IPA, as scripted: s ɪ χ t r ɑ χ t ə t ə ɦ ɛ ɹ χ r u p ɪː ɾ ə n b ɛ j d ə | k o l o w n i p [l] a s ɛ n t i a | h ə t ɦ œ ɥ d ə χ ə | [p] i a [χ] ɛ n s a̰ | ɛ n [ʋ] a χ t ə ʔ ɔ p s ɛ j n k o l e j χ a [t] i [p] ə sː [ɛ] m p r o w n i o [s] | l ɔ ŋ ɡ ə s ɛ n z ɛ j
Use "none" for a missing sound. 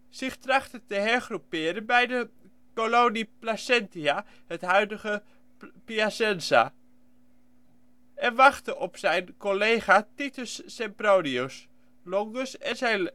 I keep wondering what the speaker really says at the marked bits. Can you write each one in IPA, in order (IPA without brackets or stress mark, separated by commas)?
l, p, s, ʋ, t, t, ɛ, s